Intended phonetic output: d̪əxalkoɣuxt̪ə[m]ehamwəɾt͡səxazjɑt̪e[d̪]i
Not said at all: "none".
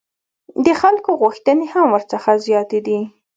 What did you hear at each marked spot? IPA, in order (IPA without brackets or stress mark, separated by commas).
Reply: n, d̪